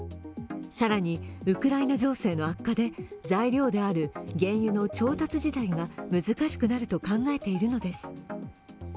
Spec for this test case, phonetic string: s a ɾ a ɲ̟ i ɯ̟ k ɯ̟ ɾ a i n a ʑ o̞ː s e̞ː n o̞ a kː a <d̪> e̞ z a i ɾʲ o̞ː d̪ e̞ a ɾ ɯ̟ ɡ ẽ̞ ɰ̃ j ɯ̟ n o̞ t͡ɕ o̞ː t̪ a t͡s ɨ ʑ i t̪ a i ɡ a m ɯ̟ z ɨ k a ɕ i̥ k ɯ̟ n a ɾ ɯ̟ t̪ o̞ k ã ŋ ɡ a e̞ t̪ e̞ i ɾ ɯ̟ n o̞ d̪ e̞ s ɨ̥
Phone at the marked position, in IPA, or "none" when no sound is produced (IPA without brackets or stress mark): d̪